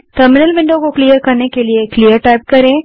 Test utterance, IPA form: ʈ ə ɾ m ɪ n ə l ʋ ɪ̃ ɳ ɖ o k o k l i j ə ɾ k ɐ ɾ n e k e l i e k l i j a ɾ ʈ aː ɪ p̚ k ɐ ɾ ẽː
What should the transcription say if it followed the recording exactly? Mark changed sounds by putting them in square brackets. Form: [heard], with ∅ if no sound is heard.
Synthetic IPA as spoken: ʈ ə ɾ m ɪ n ə l ʋ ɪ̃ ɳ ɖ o k o k l i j ə ɾ k ɐ ɾ n e k e l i e k l i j [ə] ɾ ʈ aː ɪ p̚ k ɐ ɾ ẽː